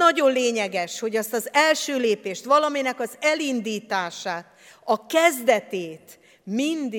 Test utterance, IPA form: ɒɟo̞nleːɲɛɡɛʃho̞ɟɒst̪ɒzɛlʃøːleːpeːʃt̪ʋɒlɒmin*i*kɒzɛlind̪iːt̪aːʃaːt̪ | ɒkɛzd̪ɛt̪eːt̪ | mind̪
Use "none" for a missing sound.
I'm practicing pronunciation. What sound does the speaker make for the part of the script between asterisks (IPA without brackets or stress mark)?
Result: ɛ